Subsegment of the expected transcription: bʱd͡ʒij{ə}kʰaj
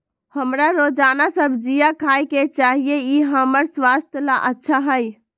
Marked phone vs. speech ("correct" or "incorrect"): incorrect